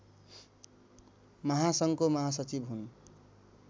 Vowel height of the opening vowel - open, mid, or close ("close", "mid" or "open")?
mid